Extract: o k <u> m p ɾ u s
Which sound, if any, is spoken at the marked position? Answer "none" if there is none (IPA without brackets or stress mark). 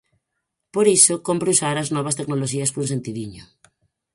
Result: o